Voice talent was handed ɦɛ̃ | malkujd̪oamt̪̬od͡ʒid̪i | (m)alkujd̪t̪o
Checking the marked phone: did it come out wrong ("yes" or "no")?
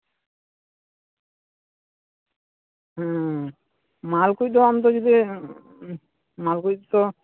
no